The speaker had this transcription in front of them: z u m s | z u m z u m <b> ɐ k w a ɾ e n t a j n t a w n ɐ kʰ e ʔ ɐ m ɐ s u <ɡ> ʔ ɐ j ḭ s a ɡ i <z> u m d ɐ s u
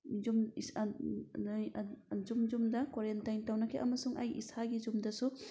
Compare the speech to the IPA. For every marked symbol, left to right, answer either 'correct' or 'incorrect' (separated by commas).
incorrect, incorrect, correct